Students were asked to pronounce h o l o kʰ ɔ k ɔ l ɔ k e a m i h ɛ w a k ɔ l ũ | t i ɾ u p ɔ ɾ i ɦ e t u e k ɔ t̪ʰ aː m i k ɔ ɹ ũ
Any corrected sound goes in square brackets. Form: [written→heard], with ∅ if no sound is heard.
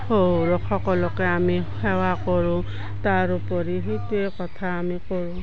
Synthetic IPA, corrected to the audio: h o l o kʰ ɔ k ɔ l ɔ k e a m i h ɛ w a k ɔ [l→ɹ] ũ | t [i→a] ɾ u p ɔ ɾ i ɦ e t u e k ɔ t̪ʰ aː m i k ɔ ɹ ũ